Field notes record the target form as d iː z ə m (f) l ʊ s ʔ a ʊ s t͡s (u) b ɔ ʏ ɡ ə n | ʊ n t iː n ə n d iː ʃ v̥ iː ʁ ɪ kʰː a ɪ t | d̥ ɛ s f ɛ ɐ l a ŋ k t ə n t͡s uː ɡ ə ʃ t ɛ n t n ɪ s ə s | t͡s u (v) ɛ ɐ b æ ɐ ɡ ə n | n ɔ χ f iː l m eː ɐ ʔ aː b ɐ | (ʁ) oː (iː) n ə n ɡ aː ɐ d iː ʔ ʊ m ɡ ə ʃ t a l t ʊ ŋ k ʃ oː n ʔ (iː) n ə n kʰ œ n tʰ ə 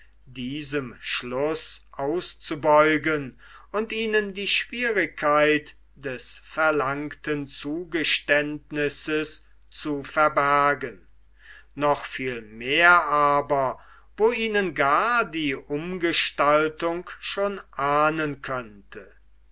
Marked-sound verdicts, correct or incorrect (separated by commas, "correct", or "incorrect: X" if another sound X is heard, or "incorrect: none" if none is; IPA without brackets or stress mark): incorrect: ʃ, correct, incorrect: f, incorrect: v, correct, incorrect: aː